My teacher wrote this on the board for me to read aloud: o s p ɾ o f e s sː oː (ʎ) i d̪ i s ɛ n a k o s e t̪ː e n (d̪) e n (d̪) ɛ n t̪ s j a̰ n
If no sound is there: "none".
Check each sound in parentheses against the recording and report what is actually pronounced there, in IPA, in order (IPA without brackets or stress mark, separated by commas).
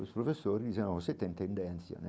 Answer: ɾ, t̪, d̪